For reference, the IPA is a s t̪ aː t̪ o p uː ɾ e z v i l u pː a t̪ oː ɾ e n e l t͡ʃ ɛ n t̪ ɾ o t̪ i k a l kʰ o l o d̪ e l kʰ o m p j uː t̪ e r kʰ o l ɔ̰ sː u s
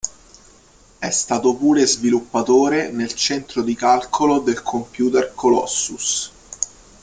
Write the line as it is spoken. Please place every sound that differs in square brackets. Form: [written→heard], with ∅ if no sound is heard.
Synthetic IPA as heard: [a→ɛ] s t̪ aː t̪ o p uː ɾ e z v i l u pː a t̪ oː ɾ e n e l t͡ʃ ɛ n t̪ ɾ o [t̪→d̪] i k a l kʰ o l o d̪ e l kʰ o m p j uː t̪ e r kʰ o l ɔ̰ sː u s